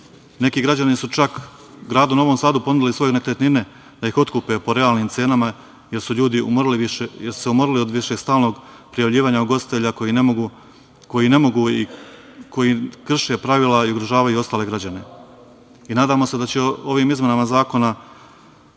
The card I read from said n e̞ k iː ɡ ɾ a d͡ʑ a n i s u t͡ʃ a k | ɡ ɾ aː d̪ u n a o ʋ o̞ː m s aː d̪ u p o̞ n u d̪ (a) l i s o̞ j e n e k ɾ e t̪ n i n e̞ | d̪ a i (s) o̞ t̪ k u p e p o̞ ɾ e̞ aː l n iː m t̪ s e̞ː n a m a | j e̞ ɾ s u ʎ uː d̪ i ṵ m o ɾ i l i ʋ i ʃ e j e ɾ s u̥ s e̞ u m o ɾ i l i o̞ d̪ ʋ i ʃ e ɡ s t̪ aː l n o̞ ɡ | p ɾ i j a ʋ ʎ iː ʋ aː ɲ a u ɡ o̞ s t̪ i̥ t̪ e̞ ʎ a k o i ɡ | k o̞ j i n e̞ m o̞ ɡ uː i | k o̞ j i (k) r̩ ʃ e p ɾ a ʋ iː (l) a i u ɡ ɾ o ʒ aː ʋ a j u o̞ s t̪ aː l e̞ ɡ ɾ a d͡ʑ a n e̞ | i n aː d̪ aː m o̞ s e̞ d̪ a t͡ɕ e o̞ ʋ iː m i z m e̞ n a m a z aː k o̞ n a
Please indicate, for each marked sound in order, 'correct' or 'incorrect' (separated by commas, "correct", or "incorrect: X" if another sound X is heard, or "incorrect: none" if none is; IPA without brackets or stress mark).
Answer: incorrect: i, incorrect: x, correct, correct